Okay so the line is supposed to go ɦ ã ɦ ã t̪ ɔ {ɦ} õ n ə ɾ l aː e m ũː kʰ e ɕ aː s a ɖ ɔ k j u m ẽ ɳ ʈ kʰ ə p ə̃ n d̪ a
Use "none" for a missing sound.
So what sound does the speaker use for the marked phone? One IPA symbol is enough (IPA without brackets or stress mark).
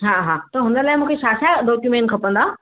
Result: ɦ